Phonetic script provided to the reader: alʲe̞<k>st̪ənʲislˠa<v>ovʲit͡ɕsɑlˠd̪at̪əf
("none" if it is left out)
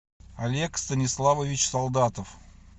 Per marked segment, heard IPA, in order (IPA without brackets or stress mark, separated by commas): k, v